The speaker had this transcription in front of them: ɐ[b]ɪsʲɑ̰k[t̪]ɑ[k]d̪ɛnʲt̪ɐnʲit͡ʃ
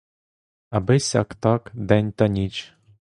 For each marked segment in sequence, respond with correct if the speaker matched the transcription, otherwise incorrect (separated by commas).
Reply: correct, correct, correct